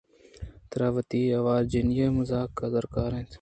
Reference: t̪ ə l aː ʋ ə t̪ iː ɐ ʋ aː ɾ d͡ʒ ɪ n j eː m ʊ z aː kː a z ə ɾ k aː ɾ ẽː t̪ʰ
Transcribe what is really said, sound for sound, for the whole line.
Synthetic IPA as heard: t̪ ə ɾ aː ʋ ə t̪ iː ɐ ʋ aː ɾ d͡ʒ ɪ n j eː m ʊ z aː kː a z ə ɾ k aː ɾ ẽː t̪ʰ